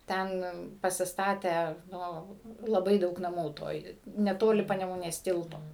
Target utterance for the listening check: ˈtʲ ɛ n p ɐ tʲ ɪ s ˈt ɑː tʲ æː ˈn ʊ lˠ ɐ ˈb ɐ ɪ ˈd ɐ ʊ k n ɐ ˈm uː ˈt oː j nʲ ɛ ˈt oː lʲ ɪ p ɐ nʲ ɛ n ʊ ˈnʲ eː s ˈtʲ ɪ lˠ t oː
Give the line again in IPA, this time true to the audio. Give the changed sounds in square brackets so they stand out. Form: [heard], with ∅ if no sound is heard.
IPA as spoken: ˈtʲ ɛ n p ɐ [sʲ] ɪ s ˈt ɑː tʲ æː ˈn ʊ lˠ ɐ ˈb ɐ ɪ ˈd ɐ ʊ k n ɐ ˈm uː ˈt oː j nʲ ɛ ˈt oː lʲ ɪ p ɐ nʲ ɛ [m] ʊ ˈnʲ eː s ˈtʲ ɪ lˠ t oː